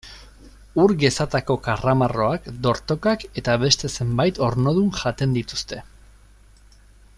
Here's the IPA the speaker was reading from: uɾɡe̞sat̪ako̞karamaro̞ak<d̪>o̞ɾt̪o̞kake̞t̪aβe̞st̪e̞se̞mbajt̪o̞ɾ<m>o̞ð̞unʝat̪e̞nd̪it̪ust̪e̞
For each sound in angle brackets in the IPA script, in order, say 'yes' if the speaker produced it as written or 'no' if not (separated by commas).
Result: yes, no